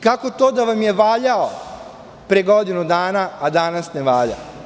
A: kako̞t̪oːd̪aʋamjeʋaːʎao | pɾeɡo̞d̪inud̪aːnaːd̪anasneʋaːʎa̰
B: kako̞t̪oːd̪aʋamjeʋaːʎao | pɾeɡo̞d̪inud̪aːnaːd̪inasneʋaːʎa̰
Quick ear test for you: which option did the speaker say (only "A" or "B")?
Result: A